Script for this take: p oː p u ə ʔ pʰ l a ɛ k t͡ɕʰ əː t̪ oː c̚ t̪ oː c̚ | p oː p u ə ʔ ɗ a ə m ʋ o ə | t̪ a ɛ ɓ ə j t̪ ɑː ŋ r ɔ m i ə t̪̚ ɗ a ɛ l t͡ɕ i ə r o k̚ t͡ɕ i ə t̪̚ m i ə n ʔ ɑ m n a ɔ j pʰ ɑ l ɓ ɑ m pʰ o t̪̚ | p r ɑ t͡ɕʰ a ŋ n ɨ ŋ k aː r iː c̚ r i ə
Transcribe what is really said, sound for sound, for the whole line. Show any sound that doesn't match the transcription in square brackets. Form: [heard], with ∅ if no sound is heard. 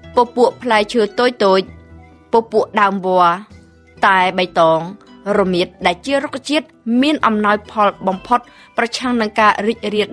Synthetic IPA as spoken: p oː p u ə ʔ pʰ l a ɛ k t͡ɕʰ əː t̪ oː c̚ t̪ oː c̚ | p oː p u ə ʔ ɗ a ə m ʋ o ə | t̪ a ɛ ɓ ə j t̪ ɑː ŋ r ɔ m i ə t̪̚ ɗ a ɛ l t͡ɕ i ə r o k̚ t͡ɕ i ə t̪̚ m i ə n ʔ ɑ m n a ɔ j pʰ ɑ l ɓ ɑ m pʰ o t̪̚ | p r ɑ t͡ɕʰ a ŋ n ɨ ŋ k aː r iː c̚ r i ə